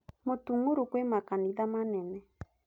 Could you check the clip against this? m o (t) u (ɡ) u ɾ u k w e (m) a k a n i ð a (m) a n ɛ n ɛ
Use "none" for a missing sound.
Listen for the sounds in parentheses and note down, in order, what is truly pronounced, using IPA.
t, ŋ, m, m

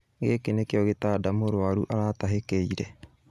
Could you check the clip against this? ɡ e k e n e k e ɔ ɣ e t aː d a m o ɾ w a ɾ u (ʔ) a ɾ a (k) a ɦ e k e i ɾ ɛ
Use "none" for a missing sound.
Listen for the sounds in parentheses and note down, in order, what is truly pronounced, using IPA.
ʔ, t

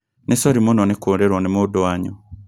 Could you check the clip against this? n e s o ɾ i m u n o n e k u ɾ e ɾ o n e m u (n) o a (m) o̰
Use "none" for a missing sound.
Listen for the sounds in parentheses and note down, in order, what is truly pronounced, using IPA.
d, ɲ

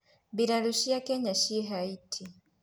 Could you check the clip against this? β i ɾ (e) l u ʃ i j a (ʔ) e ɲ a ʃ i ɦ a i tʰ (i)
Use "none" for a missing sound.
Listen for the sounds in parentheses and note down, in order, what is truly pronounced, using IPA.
a, k, i

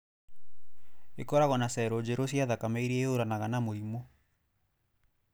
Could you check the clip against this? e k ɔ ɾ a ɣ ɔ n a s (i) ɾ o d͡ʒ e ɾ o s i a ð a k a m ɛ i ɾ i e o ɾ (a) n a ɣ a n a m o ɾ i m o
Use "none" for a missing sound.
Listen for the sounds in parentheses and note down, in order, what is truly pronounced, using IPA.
ɛ, a

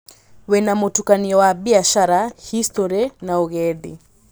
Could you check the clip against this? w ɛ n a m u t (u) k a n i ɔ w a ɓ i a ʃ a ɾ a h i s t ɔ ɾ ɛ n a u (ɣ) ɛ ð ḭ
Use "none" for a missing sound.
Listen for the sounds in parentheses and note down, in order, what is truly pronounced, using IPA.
u, ɣ

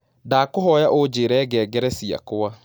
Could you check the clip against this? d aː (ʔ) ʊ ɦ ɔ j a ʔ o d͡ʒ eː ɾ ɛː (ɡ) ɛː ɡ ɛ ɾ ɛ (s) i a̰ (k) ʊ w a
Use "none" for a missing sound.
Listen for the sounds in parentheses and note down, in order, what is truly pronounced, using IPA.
k, ɡ, s, k

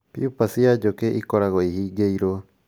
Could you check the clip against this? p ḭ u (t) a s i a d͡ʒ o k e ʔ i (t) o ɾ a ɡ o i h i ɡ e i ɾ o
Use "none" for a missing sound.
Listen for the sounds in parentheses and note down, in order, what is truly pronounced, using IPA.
p, k

